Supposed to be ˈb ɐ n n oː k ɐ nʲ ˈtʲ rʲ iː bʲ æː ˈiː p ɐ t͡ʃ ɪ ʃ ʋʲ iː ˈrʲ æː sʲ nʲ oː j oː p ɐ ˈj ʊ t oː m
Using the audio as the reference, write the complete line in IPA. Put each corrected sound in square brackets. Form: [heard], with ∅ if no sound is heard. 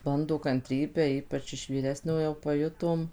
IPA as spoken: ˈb ɐ n [d] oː k ɐ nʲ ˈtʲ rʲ iː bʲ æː ˈiː p ɐ t͡ʃ ɪ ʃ ʋʲ iː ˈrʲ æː sʲ nʲ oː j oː p ɐ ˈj ʊ t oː m